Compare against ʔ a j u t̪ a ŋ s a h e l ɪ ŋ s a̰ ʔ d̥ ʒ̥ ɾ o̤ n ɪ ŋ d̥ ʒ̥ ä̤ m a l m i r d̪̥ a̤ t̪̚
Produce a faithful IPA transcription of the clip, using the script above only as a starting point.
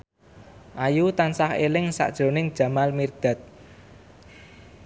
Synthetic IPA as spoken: ʔ a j u t̪ a n s a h e l ɪ ŋ s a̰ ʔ d̥ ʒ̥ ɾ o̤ n ɪ ŋ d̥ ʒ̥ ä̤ m a l m i r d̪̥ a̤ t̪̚